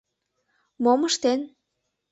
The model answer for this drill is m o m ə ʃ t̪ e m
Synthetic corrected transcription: m o m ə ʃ t̪ e n